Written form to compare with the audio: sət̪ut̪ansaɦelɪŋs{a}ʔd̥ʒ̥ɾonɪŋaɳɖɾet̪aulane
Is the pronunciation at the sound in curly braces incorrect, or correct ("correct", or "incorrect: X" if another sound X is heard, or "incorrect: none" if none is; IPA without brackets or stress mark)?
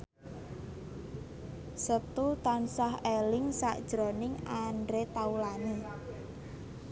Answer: correct